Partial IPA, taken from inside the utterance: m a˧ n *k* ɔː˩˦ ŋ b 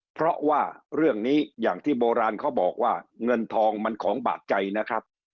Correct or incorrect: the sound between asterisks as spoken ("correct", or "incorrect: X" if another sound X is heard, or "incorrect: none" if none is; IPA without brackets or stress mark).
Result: incorrect: kʰ